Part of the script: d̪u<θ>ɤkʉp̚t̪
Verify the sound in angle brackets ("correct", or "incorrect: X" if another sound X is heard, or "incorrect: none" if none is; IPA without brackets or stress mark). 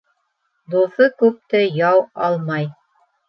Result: correct